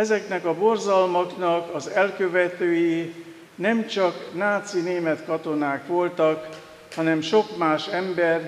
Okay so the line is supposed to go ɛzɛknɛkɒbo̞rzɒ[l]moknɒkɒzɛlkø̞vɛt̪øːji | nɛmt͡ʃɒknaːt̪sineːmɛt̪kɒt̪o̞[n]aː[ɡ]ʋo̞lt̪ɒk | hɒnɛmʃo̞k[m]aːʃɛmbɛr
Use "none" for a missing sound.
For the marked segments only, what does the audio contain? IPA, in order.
l, n, k, m

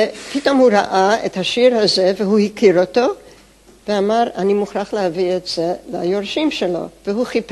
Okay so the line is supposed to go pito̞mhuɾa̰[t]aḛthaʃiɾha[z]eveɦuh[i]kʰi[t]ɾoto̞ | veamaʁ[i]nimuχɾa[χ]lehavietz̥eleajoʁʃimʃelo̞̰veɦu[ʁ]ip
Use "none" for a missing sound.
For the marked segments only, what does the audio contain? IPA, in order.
ʔ, z, i, none, a, χ, χ

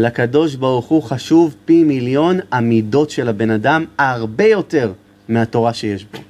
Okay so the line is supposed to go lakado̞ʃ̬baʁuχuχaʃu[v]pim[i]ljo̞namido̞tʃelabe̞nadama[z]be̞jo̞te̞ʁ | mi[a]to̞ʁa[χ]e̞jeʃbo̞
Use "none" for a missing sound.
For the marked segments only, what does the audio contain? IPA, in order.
v, i, ʁ, a, ʃ

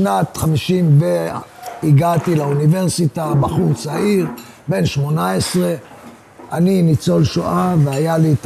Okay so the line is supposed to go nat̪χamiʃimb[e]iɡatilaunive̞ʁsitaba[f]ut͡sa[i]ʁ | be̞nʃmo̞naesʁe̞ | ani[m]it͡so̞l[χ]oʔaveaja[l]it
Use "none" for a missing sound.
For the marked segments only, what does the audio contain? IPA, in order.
e, χ, i, n, ʃ, l

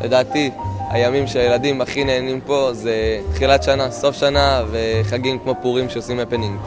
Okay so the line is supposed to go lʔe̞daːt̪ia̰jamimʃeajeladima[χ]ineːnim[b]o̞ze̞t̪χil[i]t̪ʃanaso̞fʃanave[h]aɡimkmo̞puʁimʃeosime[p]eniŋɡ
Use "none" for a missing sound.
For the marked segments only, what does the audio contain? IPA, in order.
χ, p, a, χ, p

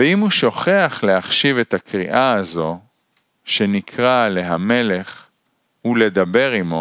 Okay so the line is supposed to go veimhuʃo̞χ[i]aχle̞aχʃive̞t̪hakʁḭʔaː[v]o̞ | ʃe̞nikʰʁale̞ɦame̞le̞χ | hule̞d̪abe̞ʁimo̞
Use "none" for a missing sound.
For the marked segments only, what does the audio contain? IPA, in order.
e, z

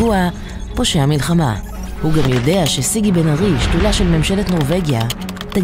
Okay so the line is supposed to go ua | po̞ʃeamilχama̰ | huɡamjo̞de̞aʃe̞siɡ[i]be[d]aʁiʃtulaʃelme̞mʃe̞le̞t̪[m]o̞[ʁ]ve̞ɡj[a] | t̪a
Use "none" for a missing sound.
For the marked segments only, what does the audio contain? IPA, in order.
i, n, n, ʁ, a

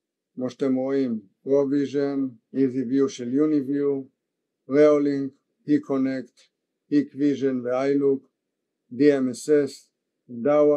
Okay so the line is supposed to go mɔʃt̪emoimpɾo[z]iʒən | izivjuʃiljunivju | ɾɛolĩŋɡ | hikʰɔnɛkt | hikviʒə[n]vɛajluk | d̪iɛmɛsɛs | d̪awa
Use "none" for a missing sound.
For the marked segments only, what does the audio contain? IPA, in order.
v, n

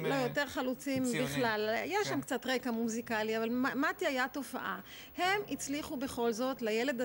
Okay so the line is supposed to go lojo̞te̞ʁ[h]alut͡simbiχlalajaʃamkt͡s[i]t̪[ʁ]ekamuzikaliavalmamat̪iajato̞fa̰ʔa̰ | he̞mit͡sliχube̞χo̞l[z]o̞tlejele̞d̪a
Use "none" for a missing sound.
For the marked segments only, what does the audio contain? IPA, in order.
χ, a, ʁ, z

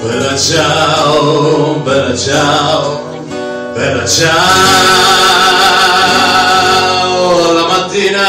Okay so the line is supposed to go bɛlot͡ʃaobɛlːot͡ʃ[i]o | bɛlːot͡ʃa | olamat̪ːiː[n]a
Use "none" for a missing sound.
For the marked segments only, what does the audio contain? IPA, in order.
a, n

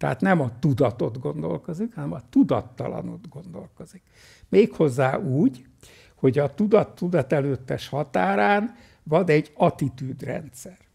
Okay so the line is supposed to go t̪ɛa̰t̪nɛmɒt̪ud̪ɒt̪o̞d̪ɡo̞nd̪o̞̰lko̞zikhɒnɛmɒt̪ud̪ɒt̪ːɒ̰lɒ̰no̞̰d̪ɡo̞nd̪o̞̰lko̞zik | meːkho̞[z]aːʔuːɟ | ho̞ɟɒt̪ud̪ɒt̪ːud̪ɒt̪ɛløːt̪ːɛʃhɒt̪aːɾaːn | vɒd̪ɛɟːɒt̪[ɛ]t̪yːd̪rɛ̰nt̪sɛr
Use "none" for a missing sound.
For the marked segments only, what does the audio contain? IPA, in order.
zː, i

